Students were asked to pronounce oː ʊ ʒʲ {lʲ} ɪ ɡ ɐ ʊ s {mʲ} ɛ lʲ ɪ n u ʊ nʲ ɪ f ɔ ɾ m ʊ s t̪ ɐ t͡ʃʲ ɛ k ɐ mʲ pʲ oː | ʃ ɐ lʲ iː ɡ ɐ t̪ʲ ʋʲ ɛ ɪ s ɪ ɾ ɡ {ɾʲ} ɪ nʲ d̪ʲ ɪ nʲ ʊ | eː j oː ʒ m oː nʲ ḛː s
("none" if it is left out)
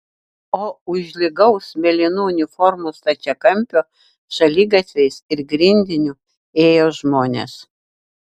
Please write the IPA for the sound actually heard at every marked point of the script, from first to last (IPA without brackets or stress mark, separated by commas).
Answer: lʲ, mʲ, ɾʲ